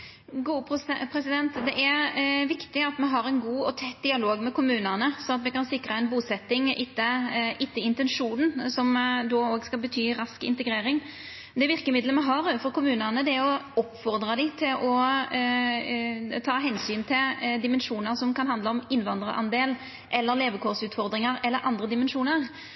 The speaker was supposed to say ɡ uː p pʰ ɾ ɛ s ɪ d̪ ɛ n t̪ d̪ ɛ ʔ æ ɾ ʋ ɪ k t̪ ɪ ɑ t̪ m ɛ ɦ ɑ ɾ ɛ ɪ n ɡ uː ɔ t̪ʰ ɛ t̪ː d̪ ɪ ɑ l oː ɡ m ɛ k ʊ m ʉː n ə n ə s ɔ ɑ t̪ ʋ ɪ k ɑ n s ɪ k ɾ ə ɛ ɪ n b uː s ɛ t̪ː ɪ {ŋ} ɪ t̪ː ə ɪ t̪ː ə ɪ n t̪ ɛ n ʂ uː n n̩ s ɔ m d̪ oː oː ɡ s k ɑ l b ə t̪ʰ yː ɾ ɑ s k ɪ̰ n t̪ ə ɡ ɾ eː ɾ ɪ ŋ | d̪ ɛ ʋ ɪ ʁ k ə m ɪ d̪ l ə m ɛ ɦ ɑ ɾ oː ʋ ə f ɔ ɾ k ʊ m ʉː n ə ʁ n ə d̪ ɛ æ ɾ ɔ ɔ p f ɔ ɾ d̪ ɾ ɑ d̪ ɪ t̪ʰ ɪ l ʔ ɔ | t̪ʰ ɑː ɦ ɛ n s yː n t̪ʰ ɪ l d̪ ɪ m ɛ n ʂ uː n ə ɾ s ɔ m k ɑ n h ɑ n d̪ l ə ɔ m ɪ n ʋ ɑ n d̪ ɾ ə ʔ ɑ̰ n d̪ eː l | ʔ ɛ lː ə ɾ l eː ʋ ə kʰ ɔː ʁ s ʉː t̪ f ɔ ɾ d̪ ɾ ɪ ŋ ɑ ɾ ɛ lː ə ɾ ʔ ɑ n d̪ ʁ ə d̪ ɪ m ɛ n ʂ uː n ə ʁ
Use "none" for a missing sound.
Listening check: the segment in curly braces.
ŋ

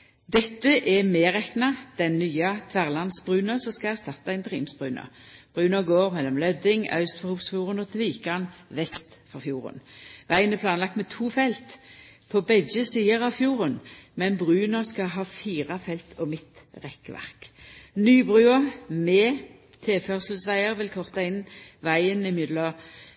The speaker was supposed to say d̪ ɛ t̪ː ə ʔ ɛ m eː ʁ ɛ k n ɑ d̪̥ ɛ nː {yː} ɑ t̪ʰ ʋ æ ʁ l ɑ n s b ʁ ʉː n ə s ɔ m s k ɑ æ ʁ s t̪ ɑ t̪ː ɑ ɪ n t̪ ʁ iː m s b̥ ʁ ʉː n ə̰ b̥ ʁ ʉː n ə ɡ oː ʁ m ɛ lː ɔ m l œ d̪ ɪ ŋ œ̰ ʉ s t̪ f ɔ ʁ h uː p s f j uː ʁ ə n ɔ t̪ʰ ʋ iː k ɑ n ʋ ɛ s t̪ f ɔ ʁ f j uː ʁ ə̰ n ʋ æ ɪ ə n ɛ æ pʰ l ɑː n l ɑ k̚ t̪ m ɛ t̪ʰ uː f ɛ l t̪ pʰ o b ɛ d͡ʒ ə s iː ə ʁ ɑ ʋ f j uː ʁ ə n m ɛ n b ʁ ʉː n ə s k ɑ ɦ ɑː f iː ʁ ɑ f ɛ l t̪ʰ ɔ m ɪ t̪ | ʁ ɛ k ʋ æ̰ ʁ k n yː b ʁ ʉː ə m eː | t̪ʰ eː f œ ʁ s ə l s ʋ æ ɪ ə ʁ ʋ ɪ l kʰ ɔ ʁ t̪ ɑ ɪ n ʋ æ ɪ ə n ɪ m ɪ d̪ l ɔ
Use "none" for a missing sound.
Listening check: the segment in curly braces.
yː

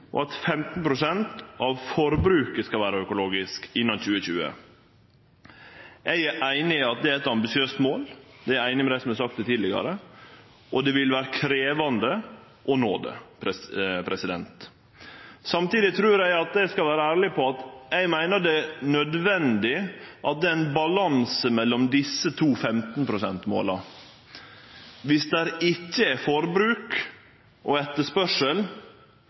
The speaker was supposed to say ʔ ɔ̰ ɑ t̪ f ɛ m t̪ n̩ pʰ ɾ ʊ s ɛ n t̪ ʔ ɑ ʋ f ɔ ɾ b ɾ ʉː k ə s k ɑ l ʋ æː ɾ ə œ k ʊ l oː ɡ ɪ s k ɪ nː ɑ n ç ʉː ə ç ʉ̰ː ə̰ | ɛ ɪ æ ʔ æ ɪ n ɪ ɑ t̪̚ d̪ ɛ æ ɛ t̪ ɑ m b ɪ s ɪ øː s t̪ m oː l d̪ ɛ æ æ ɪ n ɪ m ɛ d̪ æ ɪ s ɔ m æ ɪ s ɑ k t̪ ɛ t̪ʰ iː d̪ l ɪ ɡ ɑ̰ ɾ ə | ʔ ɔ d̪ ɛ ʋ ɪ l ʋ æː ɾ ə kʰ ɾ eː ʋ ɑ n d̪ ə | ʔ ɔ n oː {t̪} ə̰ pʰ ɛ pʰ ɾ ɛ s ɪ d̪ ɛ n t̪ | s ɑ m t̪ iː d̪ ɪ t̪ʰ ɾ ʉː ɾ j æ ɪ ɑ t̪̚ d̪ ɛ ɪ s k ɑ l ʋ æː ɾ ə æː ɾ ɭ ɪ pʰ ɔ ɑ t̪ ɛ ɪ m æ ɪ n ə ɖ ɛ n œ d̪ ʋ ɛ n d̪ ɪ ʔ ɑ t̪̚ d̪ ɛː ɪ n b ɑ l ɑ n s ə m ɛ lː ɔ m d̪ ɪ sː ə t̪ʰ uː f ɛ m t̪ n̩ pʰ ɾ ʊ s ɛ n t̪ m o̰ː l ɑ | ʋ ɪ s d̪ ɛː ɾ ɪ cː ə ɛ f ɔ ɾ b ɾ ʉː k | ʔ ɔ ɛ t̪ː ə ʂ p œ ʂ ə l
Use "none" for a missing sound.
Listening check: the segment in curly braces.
d̪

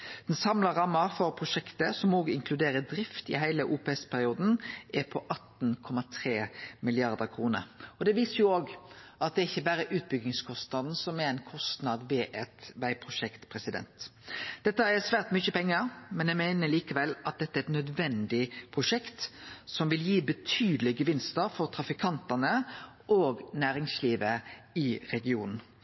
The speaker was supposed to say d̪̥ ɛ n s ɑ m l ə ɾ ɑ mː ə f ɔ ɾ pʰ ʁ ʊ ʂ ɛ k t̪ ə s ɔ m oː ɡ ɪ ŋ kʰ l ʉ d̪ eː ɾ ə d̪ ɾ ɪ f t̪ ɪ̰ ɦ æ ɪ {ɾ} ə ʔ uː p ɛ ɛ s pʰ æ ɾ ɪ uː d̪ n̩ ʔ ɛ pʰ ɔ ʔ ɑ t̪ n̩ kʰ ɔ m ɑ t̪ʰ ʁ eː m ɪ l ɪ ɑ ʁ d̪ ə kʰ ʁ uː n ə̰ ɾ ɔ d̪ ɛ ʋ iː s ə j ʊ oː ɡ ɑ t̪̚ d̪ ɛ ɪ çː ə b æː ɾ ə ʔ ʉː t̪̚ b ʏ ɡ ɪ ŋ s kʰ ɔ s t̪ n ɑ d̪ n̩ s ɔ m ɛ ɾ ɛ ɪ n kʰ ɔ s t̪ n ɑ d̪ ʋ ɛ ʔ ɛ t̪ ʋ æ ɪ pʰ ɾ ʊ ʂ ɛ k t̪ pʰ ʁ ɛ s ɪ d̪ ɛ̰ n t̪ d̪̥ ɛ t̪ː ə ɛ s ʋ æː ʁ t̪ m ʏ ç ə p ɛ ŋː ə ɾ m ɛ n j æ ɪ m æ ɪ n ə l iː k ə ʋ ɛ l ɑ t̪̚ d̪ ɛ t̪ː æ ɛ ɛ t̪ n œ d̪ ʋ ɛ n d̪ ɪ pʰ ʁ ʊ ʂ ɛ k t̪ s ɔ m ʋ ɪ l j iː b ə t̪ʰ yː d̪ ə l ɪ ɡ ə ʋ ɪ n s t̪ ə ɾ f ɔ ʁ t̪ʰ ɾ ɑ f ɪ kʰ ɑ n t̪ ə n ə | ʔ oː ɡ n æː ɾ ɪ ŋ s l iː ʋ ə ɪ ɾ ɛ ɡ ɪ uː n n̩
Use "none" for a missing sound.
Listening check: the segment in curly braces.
l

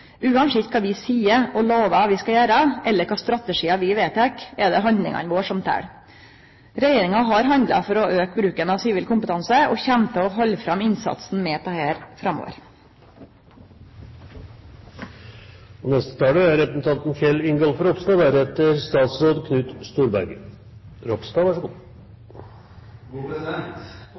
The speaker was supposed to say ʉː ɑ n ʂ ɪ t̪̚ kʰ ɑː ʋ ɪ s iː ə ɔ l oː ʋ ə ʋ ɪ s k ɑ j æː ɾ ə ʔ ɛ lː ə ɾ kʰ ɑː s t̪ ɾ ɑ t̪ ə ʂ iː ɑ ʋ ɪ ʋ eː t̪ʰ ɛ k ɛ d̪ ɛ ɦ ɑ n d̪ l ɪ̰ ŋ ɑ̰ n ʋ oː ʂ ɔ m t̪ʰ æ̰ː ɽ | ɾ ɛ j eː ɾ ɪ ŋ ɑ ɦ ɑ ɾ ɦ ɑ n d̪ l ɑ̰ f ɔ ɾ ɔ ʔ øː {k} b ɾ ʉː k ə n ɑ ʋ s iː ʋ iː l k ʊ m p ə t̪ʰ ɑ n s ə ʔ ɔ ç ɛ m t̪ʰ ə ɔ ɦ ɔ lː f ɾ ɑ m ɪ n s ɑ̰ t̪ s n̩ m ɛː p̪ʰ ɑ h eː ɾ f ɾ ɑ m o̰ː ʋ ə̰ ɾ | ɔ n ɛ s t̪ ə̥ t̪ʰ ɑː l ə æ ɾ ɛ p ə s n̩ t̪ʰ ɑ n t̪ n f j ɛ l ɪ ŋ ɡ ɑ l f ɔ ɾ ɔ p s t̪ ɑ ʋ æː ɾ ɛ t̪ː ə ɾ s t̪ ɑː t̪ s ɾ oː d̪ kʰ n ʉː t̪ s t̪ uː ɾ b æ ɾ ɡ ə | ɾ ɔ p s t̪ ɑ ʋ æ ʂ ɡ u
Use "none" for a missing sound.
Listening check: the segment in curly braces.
k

